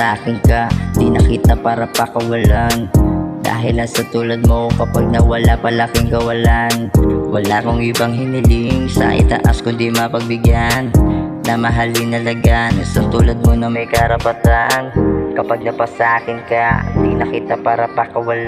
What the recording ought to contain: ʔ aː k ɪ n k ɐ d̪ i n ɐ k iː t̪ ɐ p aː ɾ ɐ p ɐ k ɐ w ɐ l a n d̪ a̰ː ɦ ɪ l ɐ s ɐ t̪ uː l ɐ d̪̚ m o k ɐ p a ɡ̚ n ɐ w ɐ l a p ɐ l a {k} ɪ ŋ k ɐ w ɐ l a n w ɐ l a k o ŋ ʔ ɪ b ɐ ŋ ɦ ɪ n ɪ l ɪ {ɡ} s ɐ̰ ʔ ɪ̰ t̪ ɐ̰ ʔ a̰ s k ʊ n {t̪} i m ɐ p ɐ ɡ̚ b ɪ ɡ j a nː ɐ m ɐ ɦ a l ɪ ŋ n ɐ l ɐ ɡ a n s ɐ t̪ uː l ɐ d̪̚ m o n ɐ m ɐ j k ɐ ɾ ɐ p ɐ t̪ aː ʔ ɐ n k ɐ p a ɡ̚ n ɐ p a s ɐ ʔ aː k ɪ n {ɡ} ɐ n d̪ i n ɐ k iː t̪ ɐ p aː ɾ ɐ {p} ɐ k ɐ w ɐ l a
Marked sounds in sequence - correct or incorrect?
correct, incorrect, incorrect, incorrect, correct

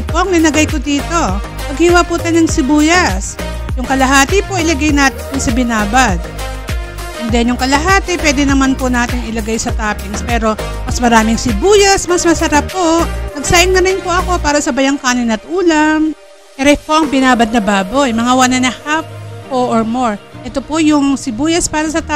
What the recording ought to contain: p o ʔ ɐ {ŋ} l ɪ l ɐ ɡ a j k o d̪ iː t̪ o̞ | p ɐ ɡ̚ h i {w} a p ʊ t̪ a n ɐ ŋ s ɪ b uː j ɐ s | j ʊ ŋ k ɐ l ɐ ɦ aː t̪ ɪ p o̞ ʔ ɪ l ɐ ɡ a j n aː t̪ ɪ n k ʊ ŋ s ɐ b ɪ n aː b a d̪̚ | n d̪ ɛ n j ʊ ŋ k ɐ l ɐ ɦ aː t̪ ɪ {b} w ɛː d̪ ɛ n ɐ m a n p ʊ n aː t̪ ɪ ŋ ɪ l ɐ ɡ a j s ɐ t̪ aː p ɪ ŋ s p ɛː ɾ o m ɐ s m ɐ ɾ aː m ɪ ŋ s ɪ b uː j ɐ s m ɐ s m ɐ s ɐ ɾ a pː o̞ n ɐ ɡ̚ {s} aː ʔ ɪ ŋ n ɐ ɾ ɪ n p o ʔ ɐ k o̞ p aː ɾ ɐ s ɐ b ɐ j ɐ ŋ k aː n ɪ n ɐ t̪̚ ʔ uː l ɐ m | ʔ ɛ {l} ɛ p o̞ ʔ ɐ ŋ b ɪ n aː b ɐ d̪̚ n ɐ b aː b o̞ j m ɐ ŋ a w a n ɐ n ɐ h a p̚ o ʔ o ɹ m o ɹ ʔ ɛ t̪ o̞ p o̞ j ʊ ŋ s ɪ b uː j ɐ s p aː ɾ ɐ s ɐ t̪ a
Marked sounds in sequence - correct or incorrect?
correct, correct, incorrect, correct, incorrect

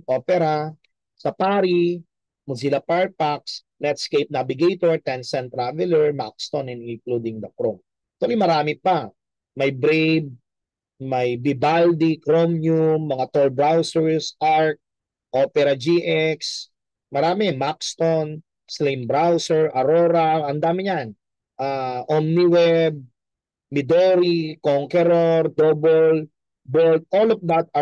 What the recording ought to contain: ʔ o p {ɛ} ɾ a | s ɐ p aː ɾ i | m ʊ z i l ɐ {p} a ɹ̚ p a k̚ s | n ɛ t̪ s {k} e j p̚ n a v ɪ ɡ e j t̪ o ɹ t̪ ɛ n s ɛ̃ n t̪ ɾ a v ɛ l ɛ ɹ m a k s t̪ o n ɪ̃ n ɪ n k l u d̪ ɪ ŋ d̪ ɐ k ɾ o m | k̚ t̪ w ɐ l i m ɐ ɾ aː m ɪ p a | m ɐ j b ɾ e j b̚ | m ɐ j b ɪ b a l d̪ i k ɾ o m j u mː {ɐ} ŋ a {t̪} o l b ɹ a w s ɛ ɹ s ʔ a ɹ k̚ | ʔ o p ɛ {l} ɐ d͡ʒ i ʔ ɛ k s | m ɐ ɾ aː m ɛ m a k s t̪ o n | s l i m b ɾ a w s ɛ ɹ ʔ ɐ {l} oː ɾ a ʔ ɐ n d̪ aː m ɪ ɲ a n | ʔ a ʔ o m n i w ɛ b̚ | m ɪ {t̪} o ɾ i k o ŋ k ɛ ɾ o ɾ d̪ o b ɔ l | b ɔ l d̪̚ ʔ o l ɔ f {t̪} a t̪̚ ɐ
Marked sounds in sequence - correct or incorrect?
correct, correct, correct, correct, correct, incorrect, incorrect, incorrect, incorrect

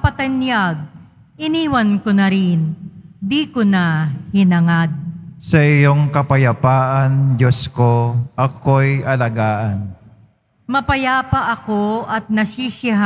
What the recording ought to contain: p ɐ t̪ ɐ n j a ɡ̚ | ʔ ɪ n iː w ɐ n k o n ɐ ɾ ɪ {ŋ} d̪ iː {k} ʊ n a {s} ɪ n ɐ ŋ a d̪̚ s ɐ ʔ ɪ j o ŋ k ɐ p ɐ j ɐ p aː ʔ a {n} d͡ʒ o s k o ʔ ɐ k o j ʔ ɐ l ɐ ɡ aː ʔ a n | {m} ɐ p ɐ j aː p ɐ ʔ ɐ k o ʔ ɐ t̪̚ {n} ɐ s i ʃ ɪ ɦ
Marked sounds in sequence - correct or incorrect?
incorrect, correct, incorrect, correct, correct, correct

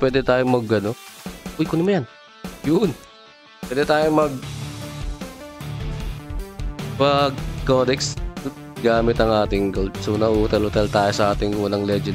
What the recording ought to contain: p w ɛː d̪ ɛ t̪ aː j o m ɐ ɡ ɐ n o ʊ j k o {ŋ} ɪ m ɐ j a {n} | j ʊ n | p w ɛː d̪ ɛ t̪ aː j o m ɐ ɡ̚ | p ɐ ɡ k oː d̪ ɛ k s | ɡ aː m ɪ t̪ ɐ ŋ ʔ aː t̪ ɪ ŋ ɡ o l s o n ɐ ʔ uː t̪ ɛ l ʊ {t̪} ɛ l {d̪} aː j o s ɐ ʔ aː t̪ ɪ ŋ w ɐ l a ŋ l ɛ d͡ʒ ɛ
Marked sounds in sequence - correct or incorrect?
incorrect, correct, correct, incorrect

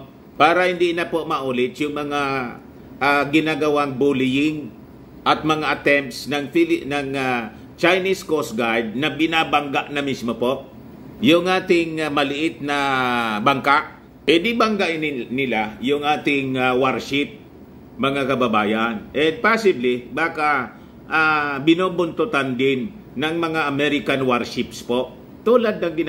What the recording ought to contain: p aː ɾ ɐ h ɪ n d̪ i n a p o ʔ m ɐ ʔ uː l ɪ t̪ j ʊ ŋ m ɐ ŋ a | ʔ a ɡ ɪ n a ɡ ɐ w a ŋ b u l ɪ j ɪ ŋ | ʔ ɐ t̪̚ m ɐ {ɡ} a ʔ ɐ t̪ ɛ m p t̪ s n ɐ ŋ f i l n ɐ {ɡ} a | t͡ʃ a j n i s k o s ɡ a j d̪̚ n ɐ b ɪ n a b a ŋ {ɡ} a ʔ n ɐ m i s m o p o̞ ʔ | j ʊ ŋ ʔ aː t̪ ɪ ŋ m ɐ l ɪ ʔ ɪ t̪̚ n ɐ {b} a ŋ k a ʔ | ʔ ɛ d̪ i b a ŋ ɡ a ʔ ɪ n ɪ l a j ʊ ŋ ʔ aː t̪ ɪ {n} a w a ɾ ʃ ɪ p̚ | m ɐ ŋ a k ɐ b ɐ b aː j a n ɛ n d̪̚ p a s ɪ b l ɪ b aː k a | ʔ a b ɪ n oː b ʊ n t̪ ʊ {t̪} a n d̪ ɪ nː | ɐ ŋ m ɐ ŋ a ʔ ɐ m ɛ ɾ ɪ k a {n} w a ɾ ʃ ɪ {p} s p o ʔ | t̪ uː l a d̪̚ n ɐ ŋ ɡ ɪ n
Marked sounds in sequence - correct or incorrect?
incorrect, incorrect, correct, correct, incorrect, correct, correct, correct

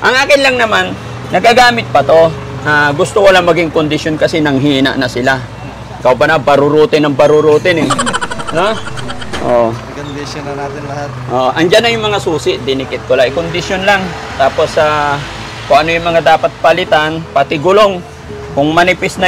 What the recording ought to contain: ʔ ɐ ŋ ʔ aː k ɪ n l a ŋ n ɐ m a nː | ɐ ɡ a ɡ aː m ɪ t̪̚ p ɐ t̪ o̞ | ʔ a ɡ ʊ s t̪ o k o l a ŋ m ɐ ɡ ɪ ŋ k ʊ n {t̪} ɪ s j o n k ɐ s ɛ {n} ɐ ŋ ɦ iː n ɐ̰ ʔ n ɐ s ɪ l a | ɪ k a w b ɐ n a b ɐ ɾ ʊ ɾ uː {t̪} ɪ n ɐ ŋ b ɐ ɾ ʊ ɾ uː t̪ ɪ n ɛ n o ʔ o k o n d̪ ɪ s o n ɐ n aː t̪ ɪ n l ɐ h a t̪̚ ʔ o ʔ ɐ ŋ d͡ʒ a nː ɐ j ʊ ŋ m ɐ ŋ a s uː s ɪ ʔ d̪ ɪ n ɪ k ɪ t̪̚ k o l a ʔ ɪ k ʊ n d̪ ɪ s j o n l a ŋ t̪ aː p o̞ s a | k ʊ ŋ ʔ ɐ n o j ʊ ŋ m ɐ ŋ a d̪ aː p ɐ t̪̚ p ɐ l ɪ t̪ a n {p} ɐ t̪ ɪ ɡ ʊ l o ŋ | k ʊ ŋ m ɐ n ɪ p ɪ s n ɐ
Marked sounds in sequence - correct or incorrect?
incorrect, correct, correct, correct

